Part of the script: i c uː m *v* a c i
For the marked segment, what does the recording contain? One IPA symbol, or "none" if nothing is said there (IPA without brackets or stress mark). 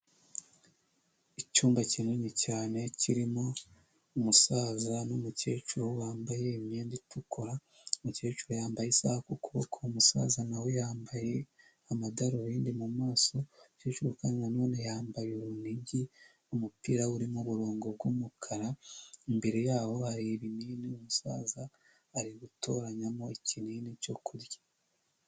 b